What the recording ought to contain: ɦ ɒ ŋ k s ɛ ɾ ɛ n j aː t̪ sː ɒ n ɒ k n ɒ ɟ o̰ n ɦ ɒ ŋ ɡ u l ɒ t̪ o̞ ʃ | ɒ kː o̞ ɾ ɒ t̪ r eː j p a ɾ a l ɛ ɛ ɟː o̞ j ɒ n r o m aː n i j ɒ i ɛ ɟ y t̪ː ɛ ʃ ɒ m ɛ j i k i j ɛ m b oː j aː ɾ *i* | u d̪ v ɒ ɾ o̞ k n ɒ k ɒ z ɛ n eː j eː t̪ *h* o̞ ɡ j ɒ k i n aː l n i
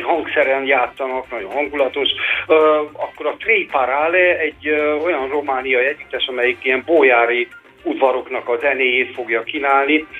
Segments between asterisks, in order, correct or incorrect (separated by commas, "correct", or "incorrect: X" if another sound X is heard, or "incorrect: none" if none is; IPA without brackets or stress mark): correct, incorrect: f